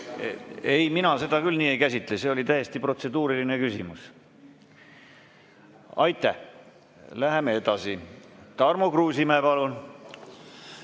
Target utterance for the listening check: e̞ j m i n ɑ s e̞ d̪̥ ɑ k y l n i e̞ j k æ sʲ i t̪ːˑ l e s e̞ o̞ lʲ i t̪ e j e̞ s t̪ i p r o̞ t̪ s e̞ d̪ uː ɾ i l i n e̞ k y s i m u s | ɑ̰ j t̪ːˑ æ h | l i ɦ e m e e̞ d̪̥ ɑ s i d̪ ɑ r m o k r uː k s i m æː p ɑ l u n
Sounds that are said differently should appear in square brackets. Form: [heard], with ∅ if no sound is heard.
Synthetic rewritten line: e̞ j m i n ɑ s e̞ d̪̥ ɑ k y l n [iː] e̞ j k æ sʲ i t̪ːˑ l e s e̞ o̞ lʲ i t̪ [æ] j e̞ s t̪ i p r o̞ t̪ s e̞ d̪ uː ɾ i l i n e̞ k y s i m u s | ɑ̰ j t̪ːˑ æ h | l [æ] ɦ e m e e̞ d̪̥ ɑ s i [t̪] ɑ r m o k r uː [∅] s i m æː p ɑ l u n